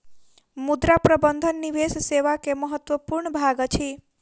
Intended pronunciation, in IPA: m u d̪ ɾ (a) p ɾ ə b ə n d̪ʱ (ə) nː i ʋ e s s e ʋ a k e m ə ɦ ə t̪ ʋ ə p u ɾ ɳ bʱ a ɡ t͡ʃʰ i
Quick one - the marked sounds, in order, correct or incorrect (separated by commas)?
correct, correct